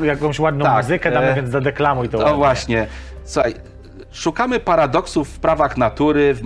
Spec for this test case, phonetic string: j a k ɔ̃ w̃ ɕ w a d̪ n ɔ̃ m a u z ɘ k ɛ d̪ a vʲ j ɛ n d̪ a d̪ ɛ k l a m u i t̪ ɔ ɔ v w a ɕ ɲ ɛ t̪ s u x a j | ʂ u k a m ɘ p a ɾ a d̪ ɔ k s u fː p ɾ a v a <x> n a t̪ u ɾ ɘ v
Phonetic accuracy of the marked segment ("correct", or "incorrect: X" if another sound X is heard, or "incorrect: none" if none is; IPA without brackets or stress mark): correct